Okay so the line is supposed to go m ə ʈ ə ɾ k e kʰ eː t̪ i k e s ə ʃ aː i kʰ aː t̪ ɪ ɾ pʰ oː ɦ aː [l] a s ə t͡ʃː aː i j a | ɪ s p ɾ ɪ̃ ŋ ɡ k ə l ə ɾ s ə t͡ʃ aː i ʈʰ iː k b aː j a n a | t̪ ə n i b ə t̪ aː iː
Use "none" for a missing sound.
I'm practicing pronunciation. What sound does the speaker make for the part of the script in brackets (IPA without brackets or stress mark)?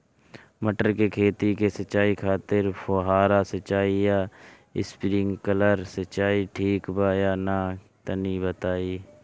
ɾ